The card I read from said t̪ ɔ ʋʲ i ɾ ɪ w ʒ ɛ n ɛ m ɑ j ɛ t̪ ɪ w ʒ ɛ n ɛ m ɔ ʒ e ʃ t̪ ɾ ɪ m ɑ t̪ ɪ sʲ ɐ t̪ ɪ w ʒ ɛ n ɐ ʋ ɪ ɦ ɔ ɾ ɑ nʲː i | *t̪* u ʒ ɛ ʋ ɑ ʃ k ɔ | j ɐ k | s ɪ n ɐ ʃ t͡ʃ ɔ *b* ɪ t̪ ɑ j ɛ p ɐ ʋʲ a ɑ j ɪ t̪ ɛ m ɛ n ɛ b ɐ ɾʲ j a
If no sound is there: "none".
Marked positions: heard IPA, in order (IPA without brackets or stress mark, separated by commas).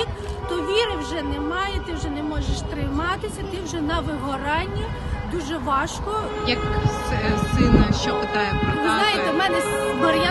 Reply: d̪, p